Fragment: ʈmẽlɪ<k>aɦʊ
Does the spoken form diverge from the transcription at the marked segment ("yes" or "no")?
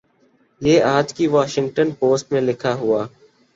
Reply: yes